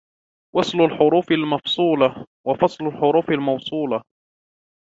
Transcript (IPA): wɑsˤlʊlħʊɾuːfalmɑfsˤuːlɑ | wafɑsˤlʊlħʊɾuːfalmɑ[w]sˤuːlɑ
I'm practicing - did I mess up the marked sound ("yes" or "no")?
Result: no